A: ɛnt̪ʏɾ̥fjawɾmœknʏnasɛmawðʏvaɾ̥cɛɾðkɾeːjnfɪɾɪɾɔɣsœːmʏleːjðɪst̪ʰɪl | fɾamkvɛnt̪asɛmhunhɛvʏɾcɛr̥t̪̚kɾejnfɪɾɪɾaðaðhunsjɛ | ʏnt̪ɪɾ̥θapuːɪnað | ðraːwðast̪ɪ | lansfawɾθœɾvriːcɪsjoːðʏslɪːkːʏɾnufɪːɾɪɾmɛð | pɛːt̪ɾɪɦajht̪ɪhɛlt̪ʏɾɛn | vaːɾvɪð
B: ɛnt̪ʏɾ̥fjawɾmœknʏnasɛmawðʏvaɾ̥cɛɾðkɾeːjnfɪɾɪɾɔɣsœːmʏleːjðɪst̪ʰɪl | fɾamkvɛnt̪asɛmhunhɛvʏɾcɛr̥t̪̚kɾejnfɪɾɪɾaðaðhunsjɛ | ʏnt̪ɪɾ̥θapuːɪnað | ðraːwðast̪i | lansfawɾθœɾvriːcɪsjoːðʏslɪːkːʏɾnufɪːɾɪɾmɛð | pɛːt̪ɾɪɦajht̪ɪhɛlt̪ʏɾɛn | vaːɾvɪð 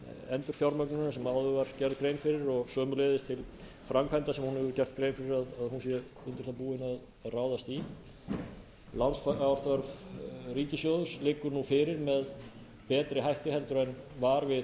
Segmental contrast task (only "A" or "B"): B